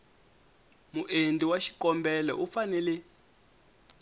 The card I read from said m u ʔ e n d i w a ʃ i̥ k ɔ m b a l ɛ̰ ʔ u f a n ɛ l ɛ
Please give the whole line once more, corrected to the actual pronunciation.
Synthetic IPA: m u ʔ e n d i w a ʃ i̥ k ɔ m b ɛ l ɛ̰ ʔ u f a n ɛ l ɛ